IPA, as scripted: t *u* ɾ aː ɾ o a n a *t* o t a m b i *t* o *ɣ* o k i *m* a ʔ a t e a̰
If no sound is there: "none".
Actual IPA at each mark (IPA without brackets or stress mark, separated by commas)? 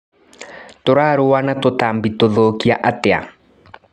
o, t, t, ð, none